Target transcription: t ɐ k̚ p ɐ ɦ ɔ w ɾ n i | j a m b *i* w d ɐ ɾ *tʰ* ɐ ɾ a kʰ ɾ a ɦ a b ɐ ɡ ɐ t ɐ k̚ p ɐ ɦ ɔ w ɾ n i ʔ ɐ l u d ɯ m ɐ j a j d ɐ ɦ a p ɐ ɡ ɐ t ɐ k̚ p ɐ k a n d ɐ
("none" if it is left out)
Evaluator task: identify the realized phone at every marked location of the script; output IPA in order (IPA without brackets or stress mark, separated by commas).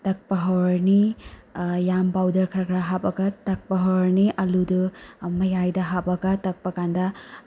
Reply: a, kʰ